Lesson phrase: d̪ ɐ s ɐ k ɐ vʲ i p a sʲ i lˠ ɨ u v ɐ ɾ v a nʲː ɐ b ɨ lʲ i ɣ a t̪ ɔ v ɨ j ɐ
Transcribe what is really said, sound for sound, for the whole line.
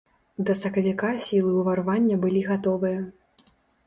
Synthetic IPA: d̪ ɐ s ɐ k ɐ vʲ i k a sʲ i lˠ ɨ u v ɐ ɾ v a nʲː ɐ b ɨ lʲ i ɣ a t̪ ɔ v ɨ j ɐ